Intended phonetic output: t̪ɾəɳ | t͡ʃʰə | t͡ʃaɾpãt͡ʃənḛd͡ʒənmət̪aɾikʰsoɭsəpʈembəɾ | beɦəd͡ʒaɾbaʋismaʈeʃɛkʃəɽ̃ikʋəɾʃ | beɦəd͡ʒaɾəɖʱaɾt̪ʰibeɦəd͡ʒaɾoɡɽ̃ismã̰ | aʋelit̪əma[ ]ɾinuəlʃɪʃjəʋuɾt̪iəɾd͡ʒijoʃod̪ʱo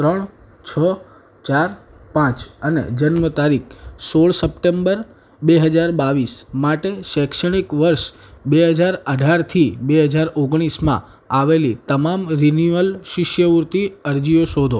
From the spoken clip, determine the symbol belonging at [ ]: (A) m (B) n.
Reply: A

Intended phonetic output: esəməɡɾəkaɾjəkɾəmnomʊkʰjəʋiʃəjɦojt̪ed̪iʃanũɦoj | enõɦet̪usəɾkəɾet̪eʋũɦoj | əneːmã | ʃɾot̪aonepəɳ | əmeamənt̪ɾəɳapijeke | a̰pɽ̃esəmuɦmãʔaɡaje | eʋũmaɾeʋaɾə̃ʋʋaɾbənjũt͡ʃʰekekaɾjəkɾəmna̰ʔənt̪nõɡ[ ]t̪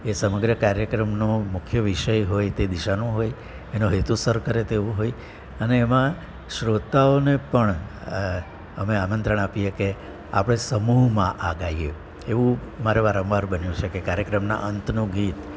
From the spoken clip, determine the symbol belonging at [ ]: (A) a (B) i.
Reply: B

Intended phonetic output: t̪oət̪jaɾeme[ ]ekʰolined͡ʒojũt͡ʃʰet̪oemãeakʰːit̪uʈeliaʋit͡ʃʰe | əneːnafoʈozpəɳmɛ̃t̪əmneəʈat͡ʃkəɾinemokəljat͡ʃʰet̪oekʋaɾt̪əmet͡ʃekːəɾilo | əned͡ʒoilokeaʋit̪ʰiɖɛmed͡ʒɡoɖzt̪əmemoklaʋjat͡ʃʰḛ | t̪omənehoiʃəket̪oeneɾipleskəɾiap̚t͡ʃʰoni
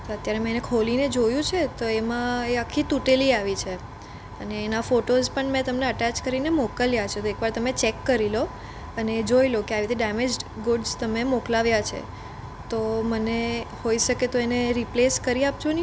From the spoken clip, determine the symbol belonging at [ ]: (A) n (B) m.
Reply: A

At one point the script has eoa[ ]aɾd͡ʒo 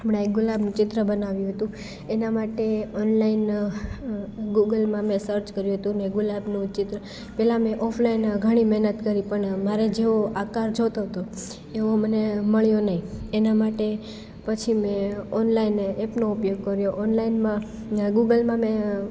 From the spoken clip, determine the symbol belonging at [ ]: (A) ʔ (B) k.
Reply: B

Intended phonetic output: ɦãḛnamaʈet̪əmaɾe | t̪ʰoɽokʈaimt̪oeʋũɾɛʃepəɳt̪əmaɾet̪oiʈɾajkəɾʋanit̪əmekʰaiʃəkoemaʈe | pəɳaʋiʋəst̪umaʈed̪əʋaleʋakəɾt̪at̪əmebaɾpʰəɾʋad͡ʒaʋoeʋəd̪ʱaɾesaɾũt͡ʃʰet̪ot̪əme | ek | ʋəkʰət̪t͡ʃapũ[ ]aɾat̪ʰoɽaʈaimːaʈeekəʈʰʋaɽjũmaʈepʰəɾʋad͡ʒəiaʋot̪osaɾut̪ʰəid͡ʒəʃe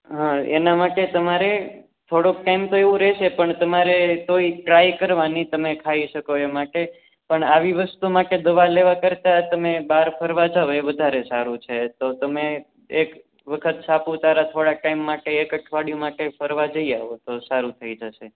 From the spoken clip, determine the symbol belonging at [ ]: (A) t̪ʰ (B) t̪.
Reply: B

